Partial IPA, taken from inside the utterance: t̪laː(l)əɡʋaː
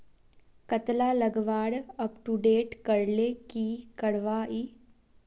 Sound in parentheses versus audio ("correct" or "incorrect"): correct